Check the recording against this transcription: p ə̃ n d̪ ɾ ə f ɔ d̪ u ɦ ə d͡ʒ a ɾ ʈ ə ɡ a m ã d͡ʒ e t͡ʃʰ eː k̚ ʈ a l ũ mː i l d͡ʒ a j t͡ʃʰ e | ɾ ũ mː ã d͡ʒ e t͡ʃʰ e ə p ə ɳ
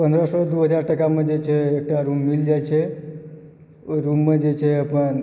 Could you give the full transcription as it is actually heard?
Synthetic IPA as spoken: p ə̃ n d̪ ɾ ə s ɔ d̪ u ɦ ə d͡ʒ a ɾ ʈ ə k a m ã d͡ʒ e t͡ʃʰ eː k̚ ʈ a ɾ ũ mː i l d͡ʒ a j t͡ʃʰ e | ɾ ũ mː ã d͡ʒ e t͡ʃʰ e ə p ə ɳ